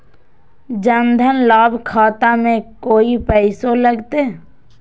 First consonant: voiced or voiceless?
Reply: voiced